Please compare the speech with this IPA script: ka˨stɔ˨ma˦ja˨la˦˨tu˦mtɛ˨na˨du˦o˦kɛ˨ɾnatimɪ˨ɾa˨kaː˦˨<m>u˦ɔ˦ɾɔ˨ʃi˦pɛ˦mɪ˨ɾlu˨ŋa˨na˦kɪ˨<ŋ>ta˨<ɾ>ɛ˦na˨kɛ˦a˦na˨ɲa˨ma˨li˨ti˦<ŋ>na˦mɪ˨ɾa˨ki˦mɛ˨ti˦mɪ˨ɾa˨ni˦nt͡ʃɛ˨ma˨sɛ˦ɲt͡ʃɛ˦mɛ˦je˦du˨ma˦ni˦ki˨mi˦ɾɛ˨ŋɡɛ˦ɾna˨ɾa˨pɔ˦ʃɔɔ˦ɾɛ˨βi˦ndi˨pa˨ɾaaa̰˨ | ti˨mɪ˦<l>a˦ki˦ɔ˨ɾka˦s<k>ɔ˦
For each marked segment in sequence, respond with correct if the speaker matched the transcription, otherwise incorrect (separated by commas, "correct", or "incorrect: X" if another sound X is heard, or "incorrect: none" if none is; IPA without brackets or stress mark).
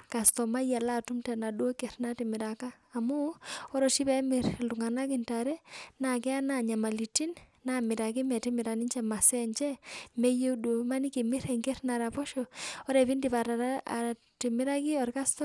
correct, incorrect: n, correct, incorrect: n, incorrect: ɾ, incorrect: t